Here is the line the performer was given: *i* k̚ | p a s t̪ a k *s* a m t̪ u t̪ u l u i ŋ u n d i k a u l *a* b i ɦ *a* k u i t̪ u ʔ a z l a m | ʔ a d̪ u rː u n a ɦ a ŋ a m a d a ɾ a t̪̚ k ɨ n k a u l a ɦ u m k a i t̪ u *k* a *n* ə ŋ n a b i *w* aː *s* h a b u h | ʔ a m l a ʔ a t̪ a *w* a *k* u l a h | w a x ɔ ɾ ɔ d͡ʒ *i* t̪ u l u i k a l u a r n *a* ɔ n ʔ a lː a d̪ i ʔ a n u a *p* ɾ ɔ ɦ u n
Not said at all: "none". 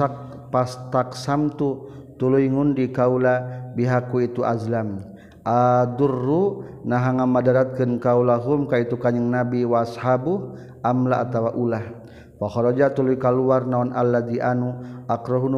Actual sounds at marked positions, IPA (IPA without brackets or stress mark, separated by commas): a, s, a, a, k, ɲ, w, s, w, ʔ, a, a, k